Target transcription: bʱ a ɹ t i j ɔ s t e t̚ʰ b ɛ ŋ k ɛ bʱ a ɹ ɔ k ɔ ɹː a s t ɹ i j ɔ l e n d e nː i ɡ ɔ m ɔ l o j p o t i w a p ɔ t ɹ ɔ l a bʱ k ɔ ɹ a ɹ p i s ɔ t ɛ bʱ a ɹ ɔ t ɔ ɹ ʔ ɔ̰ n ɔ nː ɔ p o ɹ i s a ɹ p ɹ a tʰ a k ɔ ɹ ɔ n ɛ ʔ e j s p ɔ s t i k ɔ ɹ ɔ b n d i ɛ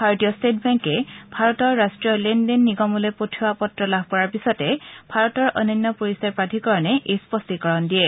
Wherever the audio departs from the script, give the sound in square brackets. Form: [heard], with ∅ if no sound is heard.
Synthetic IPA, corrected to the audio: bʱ a ɹ t i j ɔ s t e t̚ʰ b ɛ ŋ k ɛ bʱ a ɹ ɔ [t] ɔ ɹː a s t ɹ i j ɔ l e n d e nː i ɡ ɔ m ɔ l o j p o [tʰ] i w a p ɔ t ɹ ɔ l a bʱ k ɔ ɹ a ɹ p i s ɔ t ɛ bʱ a ɹ ɔ t ɔ ɹ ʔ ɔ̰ n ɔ nː ɔ p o ɹ i s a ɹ p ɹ a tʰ [i] k ɔ ɹ ɔ n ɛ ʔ e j s p ɔ s t i k ɔ ɹ ɔ [∅] n d i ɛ